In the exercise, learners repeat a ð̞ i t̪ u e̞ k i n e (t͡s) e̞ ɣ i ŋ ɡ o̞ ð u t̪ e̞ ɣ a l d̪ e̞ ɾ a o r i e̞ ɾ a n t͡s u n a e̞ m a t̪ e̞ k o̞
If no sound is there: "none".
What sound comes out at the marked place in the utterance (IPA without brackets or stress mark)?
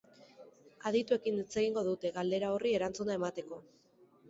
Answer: t͡s